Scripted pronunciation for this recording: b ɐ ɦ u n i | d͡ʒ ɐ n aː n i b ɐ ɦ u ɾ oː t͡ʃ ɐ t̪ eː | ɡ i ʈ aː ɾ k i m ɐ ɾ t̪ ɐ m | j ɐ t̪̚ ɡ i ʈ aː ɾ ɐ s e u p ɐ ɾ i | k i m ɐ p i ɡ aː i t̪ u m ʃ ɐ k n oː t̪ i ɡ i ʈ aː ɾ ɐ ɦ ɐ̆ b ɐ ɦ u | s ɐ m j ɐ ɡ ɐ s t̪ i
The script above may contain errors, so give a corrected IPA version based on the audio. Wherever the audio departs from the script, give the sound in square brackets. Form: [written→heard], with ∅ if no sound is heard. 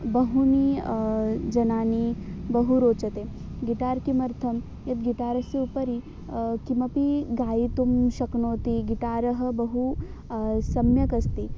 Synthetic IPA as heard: b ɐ ɦ u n i | d͡ʒ ɐ n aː n i b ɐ ɦ u ɾ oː t͡ʃ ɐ t̪ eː | ɡ i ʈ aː ɾ k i m ɐ ɾ [t̪→t̪ʰ] ɐ m | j ɐ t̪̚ ɡ i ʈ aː ɾ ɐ s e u p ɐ ɾ i | k i m ɐ p i ɡ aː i t̪ u m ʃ ɐ k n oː t̪ i ɡ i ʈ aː ɾ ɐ ɦ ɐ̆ b ɐ ɦ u | s ɐ m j ɐ [ɡ→k] ɐ s t̪ i

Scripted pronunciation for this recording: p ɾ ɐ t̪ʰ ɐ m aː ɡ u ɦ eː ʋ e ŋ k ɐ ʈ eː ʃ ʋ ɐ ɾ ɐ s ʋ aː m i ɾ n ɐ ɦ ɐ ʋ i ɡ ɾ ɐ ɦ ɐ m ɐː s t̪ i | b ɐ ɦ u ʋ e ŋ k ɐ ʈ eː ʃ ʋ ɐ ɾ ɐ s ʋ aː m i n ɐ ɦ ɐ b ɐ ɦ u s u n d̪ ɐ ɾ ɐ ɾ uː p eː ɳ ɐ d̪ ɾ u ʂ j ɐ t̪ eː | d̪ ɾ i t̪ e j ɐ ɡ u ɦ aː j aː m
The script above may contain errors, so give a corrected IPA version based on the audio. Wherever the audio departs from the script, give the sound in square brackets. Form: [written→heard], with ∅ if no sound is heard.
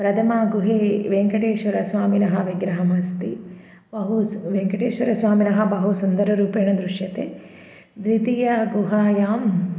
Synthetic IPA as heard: p ɾ ɐ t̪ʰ ɐ m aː ɡ u ɦ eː ʋ e ŋ k ɐ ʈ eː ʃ ʋ ɐ ɾ ɐ s ʋ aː m i [ɾ→∅] n ɐ ɦ ɐ ʋ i ɡ ɾ ɐ ɦ ɐ m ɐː s t̪ i | b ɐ ɦ u ʋ e ŋ k ɐ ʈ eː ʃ ʋ ɐ ɾ ɐ s ʋ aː m i n ɐ ɦ ɐ b ɐ ɦ u s u n d̪ ɐ ɾ ɐ ɾ uː p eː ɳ ɐ d̪ ɾ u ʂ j ɐ t̪ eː | d̪ ɾ i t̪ [e→i] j ɐ ɡ u ɦ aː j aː m

